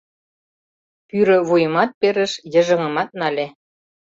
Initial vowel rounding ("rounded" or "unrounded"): rounded